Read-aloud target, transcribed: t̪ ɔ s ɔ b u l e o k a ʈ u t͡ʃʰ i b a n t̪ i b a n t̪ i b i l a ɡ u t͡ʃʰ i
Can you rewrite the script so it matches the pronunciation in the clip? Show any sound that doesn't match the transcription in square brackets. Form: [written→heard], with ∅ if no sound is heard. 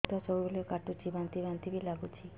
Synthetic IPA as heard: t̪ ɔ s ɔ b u l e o k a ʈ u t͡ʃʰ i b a n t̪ i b a n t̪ i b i l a ɡ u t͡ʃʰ i